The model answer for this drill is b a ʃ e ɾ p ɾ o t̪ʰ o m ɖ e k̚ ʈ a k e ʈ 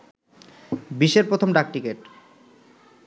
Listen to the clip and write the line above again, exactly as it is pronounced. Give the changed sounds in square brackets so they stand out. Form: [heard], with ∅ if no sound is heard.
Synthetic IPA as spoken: b [i] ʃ e ɾ p ɾ o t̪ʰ o m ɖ [a] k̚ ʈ [i] k e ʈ